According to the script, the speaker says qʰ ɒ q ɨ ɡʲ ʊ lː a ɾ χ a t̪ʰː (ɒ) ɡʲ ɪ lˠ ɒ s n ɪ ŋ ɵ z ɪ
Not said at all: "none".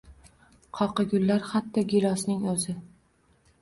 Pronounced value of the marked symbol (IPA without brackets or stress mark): ɒ